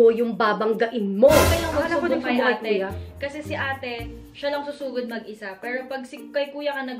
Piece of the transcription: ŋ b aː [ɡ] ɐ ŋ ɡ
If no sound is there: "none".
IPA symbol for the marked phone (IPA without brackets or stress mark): b